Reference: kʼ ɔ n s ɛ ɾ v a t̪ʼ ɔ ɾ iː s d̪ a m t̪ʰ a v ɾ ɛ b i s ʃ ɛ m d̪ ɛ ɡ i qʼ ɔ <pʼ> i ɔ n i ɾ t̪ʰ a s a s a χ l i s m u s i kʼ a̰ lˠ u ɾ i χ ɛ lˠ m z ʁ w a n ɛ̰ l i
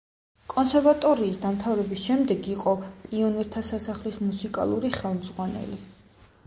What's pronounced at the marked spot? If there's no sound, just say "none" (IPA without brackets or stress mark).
pʼ